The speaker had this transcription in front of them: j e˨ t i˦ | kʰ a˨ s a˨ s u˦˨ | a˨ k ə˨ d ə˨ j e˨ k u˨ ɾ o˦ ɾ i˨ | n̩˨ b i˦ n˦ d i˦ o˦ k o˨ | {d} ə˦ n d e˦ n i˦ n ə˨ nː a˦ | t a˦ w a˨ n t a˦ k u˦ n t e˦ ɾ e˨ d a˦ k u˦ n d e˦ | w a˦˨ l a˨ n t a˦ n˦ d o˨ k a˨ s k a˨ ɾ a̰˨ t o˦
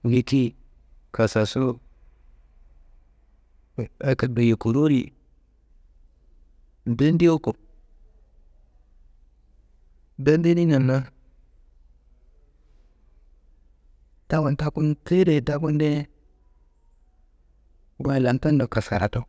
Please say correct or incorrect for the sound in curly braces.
correct